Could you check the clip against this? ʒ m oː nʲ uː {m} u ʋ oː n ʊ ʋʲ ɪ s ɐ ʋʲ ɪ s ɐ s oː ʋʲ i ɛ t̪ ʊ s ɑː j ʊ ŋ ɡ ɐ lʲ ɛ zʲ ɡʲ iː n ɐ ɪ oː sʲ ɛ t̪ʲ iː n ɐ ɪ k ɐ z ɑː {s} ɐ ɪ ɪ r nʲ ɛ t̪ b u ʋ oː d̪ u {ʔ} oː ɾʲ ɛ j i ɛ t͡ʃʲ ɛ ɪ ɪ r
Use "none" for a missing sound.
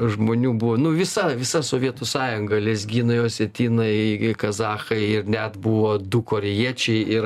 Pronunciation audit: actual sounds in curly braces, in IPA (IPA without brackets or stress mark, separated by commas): b, x, k